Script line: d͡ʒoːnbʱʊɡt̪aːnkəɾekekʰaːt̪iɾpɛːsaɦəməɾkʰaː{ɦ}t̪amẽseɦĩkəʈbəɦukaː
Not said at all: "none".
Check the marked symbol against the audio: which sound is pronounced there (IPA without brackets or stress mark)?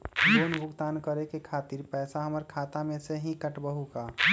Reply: none